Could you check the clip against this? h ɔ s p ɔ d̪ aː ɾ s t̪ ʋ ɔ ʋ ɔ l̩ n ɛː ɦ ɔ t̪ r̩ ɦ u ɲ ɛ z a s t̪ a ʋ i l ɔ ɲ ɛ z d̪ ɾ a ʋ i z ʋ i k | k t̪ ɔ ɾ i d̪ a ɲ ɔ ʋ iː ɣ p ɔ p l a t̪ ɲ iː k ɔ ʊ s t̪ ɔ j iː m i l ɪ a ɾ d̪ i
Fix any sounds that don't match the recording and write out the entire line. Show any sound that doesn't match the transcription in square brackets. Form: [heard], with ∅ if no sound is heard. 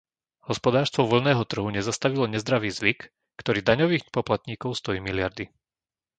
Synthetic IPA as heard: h ɔ s p ɔ d̪ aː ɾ s t̪ ʋ ɔ ʋ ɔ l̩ n ɛː ɦ ɔ t̪ r̩ ɦ u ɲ ɛ z a s t̪ a ʋ i l ɔ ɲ ɛ z d̪ ɾ a ʋ [iː] z ʋ i k | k t̪ ɔ ɾ [iː] d̪ a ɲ ɔ ʋ iː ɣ p ɔ p l a t̪ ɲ iː k ɔ ʊ s t̪ ɔ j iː m i l ɪ a ɾ d̪ i